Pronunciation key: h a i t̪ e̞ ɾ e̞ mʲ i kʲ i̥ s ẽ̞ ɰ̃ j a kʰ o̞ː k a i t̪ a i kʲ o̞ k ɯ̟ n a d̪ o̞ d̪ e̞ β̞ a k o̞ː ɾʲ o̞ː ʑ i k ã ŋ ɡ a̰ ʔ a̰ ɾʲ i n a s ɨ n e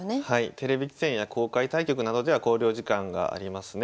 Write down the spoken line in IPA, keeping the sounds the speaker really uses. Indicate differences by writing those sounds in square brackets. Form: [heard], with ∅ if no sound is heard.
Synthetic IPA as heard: h a i t̪ e̞ ɾ e̞ [bʲ] i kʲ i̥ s ẽ̞ ɰ̃ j a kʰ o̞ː k a i t̪ a i kʲ o̞ k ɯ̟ n a d̪ o̞ d̪ e̞ β̞ a k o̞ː ɾʲ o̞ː ʑ i k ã ŋ ɡ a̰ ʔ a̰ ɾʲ i [m] a s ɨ n e